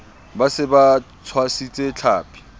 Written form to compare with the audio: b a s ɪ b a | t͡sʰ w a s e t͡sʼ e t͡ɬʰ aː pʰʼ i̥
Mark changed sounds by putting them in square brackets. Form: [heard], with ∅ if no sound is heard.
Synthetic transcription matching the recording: b a s ɪ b a | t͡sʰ w a s [i] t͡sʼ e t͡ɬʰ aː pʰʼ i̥